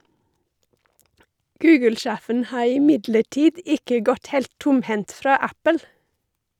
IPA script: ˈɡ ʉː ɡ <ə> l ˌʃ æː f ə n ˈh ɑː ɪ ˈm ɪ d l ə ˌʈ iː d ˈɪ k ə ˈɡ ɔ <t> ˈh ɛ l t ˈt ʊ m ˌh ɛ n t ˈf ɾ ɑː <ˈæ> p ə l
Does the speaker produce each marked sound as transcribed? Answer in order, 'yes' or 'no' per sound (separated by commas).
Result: yes, yes, yes